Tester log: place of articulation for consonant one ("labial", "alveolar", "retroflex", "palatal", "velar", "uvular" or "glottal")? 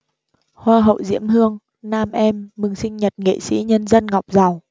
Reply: glottal